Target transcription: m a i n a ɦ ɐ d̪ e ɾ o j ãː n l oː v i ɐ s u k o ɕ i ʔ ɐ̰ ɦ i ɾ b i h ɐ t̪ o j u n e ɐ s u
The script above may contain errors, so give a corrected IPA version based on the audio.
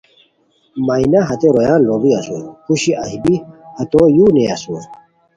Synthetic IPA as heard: m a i n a ɦ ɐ t̪ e ɾ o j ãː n l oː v i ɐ s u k u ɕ i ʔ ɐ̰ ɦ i b i h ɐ t̪ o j u n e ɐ s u